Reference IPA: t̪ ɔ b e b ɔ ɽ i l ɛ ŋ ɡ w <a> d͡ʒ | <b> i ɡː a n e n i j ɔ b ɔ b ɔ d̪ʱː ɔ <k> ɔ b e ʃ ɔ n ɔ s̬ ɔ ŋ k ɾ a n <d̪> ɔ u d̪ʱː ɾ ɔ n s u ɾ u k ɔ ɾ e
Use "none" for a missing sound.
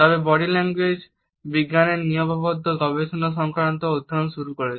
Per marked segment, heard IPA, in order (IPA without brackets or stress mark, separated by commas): e, b, ɡ, t̪